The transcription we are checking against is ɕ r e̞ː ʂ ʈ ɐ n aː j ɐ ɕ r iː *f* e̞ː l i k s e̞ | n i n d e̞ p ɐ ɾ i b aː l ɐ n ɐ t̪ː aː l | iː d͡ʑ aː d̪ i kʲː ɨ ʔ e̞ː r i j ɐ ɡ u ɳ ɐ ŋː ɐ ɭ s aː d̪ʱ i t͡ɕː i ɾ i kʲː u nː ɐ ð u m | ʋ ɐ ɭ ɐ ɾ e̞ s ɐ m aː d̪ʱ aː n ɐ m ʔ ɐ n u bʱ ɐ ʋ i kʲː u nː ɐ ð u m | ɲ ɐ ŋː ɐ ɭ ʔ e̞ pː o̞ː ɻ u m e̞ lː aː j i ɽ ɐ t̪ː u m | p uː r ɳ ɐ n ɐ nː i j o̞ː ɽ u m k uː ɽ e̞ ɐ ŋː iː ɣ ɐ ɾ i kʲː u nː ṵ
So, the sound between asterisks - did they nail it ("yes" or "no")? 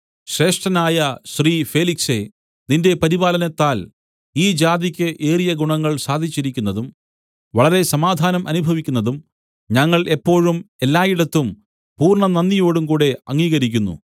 yes